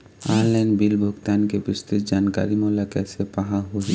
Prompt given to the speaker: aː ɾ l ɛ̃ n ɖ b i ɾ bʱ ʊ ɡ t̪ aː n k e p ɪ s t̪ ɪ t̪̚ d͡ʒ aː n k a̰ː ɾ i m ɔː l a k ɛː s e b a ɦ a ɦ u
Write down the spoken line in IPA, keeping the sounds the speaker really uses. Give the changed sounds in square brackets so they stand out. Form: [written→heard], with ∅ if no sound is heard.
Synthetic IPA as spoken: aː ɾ l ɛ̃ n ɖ b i [ɾ→l] bʱ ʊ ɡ t̪ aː n k e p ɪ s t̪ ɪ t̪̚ d͡ʒ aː n k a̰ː ɾ i m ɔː l a k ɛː s e [b→p] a ɦ a ɦ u